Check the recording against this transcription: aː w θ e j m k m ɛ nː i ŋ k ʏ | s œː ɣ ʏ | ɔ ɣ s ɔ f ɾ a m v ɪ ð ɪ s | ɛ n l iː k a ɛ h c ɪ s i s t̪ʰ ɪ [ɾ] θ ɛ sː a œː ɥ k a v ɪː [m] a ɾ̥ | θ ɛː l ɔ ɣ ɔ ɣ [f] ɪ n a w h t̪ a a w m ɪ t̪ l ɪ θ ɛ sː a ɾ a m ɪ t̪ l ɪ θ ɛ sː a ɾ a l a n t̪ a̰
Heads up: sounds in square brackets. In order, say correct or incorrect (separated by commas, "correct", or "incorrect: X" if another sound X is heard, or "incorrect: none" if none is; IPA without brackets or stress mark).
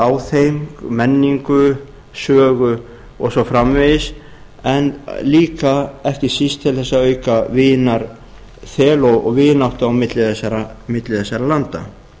incorrect: l, incorrect: n, incorrect: v